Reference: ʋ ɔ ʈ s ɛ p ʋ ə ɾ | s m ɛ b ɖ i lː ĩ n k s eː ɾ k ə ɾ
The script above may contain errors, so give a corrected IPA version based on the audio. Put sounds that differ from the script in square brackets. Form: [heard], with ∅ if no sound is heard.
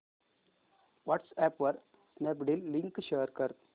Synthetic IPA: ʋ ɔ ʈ s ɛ p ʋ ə ɾ | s [n] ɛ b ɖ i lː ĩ [ŋ] k [ʃ] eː ɾ k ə ɾ